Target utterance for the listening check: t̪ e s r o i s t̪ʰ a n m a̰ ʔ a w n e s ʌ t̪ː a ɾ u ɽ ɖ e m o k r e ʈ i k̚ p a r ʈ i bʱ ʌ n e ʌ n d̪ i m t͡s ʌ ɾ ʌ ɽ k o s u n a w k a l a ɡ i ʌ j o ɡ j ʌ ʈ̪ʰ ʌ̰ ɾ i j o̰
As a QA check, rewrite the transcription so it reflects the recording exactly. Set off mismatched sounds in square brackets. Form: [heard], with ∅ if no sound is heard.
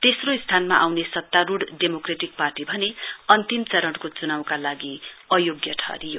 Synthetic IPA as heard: t̪ e s r o i s t̪ʰ a n m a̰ ʔ a w n e s ʌ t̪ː a ɾ u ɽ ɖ e m o k r e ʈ i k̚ p a r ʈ i bʱ ʌ n e ʌ n [t̪] i m t͡s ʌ ɾ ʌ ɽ k o [t͡s] u n a w k a l a ɡ i ʌ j o ɡ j ʌ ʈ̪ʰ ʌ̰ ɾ i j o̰